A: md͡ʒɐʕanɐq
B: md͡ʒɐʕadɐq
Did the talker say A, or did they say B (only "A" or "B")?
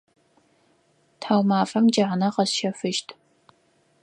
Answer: A